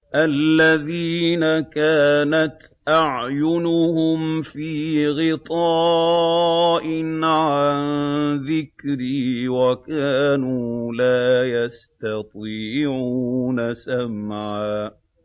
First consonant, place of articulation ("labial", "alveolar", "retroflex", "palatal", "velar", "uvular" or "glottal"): glottal